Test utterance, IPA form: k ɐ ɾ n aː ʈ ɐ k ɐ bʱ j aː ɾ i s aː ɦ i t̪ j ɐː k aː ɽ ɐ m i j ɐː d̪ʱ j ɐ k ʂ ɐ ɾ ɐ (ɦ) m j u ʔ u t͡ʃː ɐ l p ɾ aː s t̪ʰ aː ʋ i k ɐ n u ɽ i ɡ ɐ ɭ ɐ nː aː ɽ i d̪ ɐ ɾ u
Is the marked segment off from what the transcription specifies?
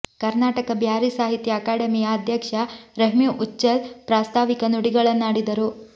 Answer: no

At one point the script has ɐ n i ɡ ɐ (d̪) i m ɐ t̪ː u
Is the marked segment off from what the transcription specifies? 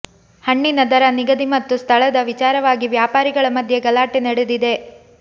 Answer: no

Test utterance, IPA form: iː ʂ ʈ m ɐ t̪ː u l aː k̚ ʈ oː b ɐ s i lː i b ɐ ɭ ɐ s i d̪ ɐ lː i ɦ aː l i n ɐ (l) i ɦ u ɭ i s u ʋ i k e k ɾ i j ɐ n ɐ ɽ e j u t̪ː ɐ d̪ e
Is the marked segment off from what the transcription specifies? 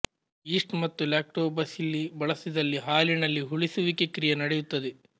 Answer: yes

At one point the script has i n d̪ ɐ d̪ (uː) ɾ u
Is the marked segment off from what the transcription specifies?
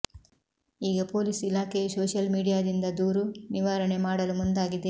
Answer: no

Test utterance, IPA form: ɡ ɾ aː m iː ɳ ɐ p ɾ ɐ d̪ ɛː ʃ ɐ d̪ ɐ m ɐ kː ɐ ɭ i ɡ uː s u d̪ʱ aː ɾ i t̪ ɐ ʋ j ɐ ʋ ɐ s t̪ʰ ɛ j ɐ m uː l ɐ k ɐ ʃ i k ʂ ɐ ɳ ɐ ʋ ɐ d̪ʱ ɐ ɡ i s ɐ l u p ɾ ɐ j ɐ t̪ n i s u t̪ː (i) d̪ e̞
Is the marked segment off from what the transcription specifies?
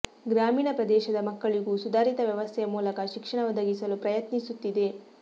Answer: no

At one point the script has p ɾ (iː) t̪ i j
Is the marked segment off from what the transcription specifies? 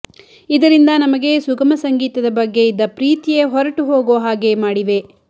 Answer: no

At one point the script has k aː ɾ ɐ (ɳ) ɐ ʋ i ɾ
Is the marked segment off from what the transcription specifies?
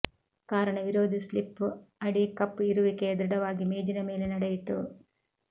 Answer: no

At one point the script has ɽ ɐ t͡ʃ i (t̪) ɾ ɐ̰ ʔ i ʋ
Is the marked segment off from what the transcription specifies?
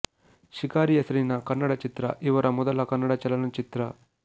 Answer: no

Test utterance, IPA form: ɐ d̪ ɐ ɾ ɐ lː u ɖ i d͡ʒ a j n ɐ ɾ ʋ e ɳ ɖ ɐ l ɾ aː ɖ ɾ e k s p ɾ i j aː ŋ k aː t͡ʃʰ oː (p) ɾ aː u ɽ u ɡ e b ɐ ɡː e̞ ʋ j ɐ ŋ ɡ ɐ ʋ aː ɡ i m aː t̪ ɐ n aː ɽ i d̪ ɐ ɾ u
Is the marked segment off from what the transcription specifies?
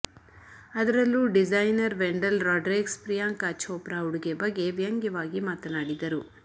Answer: no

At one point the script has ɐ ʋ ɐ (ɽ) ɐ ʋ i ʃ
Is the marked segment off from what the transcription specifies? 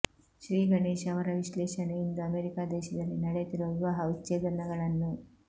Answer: yes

